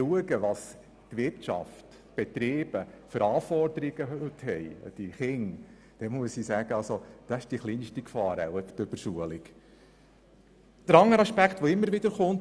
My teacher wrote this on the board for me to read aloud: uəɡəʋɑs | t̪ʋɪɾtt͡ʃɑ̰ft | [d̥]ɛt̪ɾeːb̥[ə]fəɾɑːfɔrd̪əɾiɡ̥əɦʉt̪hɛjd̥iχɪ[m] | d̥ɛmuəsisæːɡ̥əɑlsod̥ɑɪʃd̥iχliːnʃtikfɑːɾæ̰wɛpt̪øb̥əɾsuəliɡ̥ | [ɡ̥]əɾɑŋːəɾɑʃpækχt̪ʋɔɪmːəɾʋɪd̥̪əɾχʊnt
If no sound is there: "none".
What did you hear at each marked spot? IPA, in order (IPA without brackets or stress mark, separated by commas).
b̥, ə, ŋ, d̥